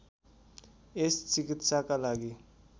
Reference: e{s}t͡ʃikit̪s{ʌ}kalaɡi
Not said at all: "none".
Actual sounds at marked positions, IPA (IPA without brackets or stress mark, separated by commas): s, a